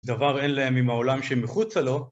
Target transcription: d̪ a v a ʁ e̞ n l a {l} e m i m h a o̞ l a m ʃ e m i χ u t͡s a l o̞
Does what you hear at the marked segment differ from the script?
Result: yes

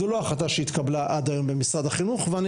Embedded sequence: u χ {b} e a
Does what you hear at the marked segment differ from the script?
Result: yes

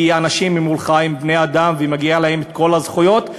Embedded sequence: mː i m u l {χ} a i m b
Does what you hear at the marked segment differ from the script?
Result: no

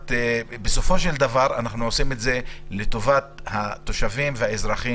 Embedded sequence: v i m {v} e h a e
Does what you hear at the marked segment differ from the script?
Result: no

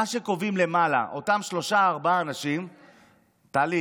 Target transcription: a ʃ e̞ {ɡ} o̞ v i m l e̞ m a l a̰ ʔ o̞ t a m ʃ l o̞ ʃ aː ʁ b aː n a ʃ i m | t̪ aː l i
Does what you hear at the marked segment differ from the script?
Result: yes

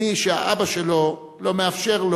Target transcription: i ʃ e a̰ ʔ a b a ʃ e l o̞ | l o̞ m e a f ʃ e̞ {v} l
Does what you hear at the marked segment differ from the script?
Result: yes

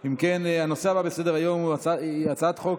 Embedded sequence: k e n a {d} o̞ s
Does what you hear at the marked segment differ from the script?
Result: yes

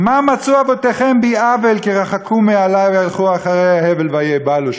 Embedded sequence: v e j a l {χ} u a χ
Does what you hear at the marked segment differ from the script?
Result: no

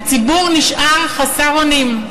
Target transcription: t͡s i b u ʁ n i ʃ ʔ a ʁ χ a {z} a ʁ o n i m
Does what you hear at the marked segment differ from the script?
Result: yes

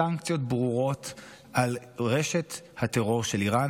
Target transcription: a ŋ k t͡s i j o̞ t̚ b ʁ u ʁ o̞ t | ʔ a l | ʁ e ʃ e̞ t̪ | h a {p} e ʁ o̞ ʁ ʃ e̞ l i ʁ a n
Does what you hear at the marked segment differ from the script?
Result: yes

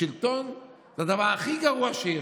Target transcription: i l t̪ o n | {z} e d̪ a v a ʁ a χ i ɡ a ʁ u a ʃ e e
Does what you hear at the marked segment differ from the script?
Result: no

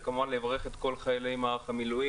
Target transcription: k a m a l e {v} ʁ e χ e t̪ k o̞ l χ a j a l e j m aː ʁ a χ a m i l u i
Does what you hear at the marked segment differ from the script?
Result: no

